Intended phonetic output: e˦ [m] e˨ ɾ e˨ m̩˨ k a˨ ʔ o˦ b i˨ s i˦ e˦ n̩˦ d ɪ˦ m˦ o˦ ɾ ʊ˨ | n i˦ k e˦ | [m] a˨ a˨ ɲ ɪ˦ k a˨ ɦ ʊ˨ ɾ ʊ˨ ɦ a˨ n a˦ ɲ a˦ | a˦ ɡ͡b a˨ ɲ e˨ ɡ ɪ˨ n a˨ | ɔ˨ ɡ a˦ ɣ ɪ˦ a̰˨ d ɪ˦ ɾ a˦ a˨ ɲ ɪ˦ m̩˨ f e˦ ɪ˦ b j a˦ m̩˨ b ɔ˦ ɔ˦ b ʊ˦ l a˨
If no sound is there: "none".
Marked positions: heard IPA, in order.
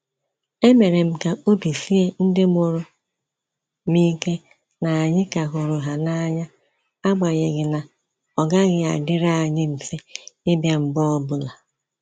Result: m, n

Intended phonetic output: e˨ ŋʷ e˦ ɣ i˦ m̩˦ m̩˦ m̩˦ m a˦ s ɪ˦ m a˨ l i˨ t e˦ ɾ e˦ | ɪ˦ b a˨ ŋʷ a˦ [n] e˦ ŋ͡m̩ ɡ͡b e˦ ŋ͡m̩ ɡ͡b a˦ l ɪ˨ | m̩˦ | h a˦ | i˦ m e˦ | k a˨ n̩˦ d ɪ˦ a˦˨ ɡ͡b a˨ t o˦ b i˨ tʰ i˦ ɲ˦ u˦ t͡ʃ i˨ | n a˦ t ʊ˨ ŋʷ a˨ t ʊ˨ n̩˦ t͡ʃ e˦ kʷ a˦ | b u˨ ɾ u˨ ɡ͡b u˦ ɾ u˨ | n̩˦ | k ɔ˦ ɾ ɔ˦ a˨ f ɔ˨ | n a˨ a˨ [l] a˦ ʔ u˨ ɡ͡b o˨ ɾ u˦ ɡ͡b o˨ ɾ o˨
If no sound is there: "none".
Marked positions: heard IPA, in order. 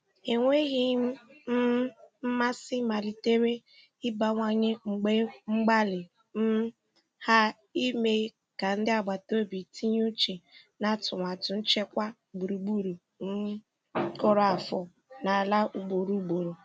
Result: ɲ, l

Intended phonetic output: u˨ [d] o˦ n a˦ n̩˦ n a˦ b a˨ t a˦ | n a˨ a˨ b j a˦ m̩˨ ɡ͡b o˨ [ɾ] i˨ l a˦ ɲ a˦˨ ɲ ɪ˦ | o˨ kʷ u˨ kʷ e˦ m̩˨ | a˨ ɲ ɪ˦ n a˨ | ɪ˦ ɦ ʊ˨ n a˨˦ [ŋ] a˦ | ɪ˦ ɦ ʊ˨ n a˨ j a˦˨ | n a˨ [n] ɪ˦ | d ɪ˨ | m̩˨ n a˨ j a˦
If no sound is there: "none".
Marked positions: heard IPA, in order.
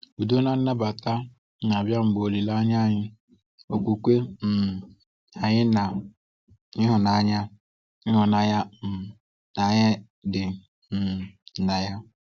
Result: d, l, ɲ, ɲ

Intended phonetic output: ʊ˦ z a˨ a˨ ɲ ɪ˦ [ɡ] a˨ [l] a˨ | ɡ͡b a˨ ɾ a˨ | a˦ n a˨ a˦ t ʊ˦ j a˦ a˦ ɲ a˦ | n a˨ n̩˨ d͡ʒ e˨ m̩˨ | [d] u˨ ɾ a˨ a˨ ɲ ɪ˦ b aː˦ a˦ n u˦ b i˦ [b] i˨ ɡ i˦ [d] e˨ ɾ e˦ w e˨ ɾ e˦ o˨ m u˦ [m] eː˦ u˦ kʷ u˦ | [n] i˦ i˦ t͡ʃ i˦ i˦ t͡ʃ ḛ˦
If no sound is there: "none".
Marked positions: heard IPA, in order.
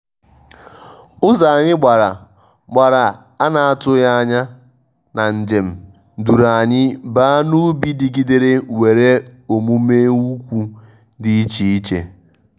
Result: ɡ͡b, ɾ, d, d, d, m, d

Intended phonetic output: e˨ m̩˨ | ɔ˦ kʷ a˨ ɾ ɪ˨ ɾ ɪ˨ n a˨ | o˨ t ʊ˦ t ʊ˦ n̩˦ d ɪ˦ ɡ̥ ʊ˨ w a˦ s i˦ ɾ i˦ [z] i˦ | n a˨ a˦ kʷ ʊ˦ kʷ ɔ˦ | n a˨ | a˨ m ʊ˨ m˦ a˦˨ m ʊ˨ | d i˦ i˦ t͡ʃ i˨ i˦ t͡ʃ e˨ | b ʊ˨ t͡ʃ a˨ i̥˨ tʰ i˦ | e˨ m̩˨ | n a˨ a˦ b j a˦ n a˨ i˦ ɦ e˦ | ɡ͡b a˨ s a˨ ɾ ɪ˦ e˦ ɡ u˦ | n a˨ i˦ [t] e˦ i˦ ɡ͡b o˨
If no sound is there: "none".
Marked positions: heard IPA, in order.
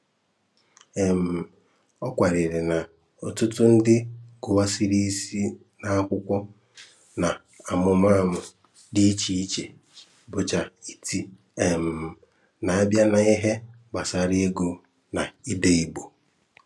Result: s, d

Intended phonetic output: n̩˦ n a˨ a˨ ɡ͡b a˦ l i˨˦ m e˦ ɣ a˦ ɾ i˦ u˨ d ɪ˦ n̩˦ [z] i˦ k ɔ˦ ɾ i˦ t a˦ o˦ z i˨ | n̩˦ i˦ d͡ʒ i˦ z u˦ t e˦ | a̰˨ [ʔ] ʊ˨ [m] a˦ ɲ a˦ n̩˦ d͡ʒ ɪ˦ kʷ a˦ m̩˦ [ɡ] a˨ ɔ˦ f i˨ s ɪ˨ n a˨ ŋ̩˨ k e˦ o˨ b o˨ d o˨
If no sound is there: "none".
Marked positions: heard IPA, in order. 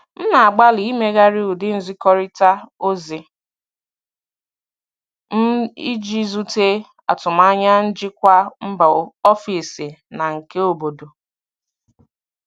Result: z, t, m, b

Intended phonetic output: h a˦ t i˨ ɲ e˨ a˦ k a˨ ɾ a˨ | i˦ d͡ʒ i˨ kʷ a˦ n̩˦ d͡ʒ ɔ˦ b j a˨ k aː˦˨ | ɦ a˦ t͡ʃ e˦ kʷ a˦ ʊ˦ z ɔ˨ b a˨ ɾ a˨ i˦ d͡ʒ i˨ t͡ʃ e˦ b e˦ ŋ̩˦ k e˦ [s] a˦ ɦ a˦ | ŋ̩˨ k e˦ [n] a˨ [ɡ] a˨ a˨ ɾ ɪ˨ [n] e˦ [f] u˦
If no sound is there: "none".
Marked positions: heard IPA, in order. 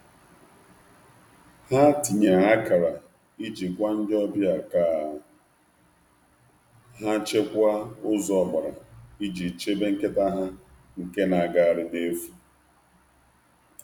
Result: t, n, ɡ, d, f

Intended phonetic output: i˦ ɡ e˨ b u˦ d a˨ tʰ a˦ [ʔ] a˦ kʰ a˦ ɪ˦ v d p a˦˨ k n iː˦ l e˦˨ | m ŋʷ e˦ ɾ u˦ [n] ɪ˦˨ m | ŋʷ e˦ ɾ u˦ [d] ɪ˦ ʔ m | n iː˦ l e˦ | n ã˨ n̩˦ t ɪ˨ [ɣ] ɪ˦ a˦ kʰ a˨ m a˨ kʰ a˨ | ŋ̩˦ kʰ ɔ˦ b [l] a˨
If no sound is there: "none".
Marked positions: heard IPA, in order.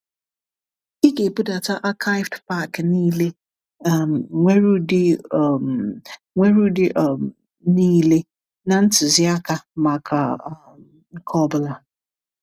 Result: ʔ, d, d, z, l

